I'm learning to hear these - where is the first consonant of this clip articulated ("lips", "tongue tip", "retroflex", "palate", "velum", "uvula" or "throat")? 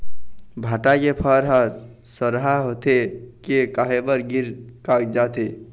lips